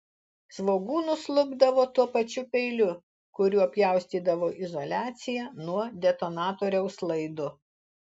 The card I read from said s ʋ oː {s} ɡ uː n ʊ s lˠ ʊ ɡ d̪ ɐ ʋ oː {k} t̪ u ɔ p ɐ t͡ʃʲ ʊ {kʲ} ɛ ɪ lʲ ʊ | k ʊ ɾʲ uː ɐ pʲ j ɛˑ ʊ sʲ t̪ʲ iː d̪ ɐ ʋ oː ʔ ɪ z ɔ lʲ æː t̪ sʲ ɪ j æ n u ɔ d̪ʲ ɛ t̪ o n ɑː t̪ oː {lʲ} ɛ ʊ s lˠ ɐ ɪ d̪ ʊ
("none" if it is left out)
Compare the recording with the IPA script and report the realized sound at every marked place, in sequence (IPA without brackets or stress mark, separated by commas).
none, none, pʲ, ɾʲ